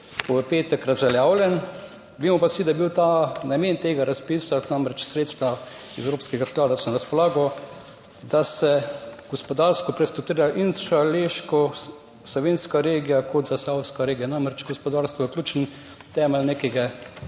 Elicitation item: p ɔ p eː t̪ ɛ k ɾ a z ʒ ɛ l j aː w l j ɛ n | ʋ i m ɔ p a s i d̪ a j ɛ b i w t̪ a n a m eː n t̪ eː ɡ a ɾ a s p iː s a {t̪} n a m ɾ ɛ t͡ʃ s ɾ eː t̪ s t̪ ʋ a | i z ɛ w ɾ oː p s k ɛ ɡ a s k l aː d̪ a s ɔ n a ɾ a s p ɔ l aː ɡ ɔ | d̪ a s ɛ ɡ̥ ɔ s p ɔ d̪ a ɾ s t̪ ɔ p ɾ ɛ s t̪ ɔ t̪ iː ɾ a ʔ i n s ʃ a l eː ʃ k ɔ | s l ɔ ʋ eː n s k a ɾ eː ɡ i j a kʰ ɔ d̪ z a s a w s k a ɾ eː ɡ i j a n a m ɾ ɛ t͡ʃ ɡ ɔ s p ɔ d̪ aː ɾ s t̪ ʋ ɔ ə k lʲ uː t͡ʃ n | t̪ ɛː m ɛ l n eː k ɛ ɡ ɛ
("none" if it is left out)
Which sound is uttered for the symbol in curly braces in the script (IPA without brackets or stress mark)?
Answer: t̪